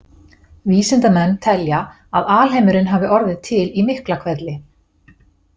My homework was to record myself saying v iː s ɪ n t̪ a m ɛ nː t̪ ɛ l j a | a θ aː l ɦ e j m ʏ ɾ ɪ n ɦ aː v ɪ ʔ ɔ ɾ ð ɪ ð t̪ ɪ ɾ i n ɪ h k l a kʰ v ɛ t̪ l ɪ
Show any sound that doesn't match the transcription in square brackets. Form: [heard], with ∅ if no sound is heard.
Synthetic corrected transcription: v iː s ɪ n t̪ a m ɛ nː [t̪ʰ] ɛ l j a | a [ð] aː l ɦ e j m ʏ ɾ ɪ n ɦ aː v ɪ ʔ ɔ ɾ ð ɪ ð [t̪ʰ] ɪ [l] i [m] ɪ h k l a kʰ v ɛ t̪ l ɪ